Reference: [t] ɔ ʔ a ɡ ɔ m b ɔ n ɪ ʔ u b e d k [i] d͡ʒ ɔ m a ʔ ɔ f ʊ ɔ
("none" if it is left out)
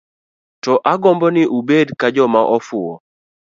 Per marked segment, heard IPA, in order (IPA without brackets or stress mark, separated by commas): t, a